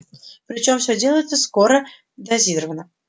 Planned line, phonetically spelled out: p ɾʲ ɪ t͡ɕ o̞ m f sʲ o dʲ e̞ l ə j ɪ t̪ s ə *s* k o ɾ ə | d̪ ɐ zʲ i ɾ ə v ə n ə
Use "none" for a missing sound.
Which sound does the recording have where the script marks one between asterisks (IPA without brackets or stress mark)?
s